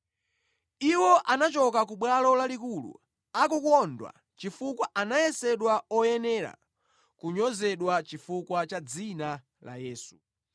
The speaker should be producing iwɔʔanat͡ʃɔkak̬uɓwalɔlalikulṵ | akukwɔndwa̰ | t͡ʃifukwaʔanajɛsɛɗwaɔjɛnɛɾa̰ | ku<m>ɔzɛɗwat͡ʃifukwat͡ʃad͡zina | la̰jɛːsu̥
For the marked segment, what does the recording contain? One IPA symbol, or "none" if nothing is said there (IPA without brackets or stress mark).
ɲ